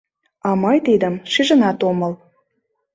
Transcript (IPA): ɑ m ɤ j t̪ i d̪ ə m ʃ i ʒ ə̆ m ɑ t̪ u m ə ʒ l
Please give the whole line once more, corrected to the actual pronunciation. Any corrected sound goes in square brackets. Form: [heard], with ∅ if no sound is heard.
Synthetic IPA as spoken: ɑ m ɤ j t̪ i d̪ ə m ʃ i ʒ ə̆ [n] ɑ t̪ [o] m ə [∅] l